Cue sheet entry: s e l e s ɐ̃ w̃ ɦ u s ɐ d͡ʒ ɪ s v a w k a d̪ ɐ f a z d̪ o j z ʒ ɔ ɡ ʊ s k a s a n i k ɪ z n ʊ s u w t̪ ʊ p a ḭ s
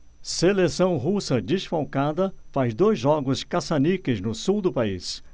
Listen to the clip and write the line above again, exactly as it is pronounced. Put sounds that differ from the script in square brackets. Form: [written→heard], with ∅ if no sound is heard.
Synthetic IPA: s e l e s ɐ̃ w̃ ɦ u s ɐ d͡ʒ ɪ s [v→f] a w k a d̪ ɐ f a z d̪ o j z ʒ ɔ ɡ ʊ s k a s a n i k ɪ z n ʊ s u w [t̪→d̪] ʊ p a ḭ s